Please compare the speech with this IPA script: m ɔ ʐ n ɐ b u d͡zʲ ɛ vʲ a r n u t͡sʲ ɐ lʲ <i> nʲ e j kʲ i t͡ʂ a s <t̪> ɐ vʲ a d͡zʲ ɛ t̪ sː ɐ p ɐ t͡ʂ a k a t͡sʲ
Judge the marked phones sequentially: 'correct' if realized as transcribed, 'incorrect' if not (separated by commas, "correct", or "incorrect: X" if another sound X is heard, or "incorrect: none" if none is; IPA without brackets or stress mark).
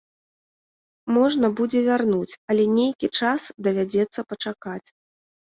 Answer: incorrect: ɛ, incorrect: d̪